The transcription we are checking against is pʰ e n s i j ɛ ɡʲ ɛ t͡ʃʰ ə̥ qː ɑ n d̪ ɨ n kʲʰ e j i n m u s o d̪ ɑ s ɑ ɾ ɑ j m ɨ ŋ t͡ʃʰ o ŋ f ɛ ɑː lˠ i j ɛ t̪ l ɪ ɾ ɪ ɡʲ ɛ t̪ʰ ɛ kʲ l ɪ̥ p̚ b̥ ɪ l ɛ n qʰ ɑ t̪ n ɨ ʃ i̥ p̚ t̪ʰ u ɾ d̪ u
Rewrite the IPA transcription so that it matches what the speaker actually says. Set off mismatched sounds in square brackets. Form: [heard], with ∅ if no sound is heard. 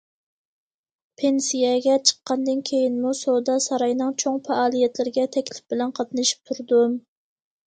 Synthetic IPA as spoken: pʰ e n s i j ɛ ɡʲ ɛ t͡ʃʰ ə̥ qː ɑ n d̪ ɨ n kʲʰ e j i n m u s o d̪ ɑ s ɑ ɾ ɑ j [n] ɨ ŋ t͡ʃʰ o ŋ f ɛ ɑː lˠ i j ɛ t̪ l ɪ ɾ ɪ ɡʲ ɛ t̪ʰ ɛ kʲ l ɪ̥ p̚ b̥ ɪ l ɛ n qʰ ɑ t̪ n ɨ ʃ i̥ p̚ t̪ʰ u ɾ d̪ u

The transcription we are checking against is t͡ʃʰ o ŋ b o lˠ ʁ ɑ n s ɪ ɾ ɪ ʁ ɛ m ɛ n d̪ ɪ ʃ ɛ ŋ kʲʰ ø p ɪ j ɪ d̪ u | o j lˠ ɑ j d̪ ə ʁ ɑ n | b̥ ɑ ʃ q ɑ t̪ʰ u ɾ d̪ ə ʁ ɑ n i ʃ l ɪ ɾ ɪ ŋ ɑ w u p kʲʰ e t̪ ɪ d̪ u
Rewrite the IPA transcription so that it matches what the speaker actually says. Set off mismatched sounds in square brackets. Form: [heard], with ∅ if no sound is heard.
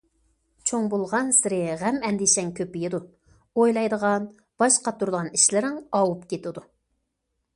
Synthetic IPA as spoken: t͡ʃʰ o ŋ b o lˠ ʁ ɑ n s ɪ ɾ ɪ ʁ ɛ m ɛ n d̪ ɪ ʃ ɛ ŋ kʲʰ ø p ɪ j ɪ d̪ u | o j lˠ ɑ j d̪ ə ʁ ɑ n | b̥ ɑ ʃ q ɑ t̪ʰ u ɾ d̪ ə ʁ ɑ n i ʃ l ɪ ɾ ɪ ŋ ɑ w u p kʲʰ e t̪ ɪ d̪ u

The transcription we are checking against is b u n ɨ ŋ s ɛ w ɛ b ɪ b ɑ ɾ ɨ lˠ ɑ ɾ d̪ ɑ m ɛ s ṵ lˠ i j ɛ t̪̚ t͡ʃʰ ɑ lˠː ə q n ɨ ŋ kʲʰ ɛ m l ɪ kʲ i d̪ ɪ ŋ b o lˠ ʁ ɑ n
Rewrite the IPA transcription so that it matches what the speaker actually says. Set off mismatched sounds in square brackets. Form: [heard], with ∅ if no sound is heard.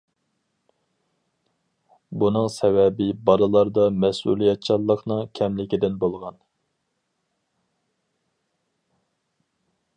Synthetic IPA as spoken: b u n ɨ ŋ s ɛ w ɛ b ɪ b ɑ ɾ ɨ lˠ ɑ ɾ d̪ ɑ m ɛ s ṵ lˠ i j ɛ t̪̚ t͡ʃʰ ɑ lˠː ə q n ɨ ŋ kʲʰ ɛ m l ɪ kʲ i d̪ ɪ [n] b o lˠ ʁ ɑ n

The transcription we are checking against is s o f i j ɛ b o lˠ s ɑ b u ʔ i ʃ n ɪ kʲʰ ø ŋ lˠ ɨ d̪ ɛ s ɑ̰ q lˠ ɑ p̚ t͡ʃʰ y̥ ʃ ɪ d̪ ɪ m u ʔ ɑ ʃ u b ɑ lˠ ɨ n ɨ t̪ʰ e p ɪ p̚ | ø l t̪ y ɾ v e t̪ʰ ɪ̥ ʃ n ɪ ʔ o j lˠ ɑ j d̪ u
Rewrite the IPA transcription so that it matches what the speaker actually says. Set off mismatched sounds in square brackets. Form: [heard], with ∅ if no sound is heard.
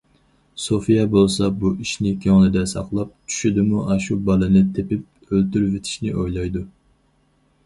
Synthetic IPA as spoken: s o f i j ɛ b o lˠ s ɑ b u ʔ i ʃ n ɪ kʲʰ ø ŋ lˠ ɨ d̪ ɛ s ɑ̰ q lˠ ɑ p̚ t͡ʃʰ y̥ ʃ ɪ d̪ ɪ m u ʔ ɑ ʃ u b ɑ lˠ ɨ n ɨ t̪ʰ e p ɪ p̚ | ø l t̪ y ɾ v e t̪ʰ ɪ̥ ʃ n ɪ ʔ o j lˠ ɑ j d̪ u

